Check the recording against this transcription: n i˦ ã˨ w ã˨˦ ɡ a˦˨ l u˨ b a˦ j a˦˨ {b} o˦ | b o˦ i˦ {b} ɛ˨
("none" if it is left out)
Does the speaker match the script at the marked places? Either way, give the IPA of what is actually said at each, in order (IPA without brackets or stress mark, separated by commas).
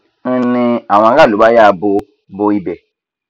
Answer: b, b